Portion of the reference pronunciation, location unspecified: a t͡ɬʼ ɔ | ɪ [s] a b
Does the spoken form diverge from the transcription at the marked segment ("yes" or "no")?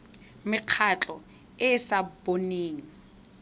no